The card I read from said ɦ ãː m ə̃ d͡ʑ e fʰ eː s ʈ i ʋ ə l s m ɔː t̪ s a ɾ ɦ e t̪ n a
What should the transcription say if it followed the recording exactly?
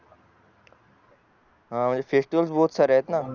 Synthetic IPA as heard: ɦ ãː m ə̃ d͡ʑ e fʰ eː s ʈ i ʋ ə l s b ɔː t̪ s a ɾ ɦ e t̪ n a

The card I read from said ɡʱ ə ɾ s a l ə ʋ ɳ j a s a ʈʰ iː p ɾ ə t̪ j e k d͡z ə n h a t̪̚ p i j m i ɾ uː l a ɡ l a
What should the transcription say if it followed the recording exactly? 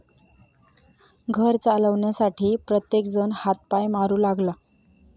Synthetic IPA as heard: ɡʱ ə ɾ t͡s a l ə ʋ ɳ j a s a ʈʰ iː p ɾ ə t̪ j e k d͡z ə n h a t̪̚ p a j m a ɾ uː l a ɡ l a

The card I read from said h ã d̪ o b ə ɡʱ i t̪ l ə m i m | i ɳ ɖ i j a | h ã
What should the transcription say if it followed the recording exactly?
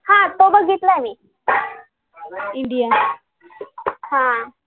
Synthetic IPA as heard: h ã t̪ o b ə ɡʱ i t̪ l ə m i | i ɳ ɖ i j a | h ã

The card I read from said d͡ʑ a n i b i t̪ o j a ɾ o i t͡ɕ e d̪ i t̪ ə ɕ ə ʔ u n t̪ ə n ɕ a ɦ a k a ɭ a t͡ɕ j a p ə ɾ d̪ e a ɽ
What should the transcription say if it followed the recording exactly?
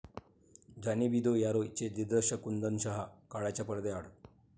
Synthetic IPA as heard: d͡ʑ a n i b i d̪ o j a ɾ o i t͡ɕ e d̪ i d̪ ə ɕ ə k u n d̪ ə n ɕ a ɦ a k a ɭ a t͡ɕ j a p ə ɾ d̪ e a ɽ

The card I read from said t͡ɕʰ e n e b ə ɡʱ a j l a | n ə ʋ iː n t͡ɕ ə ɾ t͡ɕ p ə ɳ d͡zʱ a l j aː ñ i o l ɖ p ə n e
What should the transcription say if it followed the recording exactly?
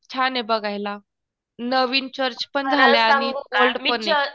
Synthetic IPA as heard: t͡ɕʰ a n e b ə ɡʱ a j l a | n ə ʋ iː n t͡ɕ ə ɾ t͡ɕ p ə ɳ d͡zʱ a l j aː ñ i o l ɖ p ə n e

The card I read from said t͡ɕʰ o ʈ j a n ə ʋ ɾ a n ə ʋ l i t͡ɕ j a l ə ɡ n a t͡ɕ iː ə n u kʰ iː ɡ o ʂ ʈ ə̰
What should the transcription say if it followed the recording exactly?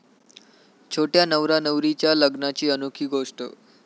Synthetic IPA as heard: t͡ɕʰ o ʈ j a n ə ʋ ɾ a n ə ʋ ɾ i t͡ɕ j a l ə ɡ n a t͡ɕ iː ə n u kʰ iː ɡ o ʂ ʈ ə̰

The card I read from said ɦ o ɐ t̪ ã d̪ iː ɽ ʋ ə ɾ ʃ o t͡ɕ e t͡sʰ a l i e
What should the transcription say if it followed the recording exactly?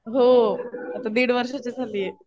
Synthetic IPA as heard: ɦ o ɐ t̪ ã d̪ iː ɽ ʋ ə ɾ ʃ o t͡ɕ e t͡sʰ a l i e

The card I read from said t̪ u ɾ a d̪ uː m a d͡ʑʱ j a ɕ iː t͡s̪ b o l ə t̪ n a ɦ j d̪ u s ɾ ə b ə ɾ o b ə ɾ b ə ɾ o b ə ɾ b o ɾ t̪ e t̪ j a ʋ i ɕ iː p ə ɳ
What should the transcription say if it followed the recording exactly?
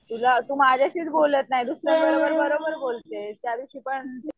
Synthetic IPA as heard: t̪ u l a t̪ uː m a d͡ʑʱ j a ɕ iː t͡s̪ b o l ə t̪ n a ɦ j d̪ u s ɾ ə b ə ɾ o b ə ɾ b ə ɾ o b ə ɾ b o l t̪ e t̪ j a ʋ i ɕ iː p ə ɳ

